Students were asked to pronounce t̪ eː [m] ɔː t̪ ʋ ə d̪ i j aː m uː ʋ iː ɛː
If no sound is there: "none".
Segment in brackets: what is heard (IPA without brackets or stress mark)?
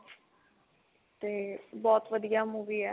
b